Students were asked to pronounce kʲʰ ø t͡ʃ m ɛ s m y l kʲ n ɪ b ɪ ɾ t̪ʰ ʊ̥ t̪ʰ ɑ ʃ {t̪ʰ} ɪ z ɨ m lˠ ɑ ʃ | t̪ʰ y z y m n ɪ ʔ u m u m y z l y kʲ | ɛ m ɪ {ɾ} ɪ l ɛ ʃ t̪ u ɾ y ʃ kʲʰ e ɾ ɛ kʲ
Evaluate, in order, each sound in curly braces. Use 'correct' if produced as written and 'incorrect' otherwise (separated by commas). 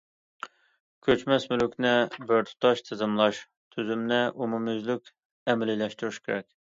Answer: correct, incorrect